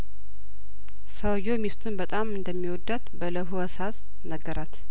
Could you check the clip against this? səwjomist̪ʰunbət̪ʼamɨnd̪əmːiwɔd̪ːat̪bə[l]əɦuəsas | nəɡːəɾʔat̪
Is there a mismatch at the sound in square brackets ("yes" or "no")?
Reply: no